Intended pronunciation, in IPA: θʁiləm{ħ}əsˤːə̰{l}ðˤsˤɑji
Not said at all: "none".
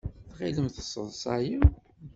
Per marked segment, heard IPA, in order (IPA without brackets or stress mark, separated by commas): θ, none